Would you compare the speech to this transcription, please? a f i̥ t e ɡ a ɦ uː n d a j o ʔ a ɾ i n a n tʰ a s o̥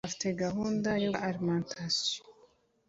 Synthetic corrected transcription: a f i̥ t e ɡ a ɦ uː n d a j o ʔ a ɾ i m a n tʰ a s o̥